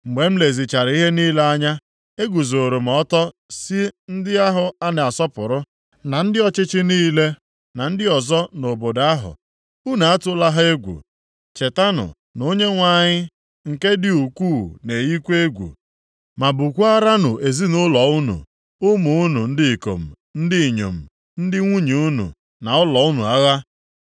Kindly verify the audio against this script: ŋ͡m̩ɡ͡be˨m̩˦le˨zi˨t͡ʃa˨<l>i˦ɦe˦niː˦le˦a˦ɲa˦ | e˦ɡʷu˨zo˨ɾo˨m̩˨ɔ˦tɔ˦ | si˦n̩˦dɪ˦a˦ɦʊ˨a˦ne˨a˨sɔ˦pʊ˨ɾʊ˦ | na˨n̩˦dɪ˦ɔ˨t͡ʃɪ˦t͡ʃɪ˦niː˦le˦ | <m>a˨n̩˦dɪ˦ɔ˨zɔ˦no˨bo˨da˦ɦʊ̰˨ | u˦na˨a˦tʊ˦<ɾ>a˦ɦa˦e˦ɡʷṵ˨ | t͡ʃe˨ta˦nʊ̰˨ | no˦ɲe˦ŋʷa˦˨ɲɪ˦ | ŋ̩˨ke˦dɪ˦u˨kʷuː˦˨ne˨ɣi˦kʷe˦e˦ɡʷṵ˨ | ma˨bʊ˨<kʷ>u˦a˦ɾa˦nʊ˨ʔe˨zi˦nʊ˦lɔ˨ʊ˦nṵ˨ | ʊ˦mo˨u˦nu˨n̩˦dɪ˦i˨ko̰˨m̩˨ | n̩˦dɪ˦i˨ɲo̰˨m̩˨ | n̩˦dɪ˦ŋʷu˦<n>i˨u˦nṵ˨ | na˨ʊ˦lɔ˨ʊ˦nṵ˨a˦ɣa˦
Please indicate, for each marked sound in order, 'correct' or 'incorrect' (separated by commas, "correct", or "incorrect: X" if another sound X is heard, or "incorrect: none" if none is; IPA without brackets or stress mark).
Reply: incorrect: ɾ, incorrect: n, incorrect: l, correct, incorrect: ɲ